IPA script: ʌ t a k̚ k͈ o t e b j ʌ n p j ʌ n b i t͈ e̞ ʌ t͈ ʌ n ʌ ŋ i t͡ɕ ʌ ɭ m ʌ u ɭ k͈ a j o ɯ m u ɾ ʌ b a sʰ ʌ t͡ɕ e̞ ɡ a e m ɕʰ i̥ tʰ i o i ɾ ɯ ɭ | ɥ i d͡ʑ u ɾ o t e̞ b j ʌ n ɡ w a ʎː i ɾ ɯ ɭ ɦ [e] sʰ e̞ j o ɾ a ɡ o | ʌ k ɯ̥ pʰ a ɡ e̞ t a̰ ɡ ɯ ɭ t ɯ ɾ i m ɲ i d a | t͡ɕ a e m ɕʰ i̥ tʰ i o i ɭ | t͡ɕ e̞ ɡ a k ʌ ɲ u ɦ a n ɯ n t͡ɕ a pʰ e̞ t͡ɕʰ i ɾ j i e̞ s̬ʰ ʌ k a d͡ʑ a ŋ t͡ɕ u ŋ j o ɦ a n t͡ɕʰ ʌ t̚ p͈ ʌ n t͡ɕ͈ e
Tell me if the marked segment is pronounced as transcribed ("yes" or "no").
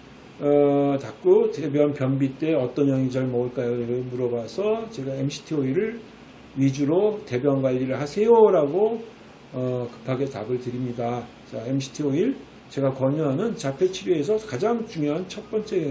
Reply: no